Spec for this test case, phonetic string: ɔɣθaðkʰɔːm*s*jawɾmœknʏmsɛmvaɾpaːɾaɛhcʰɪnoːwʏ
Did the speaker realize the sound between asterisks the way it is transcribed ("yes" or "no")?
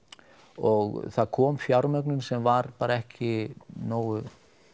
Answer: no